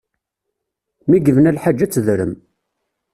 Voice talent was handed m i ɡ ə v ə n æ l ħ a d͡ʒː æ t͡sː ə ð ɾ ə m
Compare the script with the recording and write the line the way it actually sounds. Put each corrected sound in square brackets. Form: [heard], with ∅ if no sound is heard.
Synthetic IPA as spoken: m i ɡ ə v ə n æ l ħ a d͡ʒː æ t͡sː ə ð ɾ ə m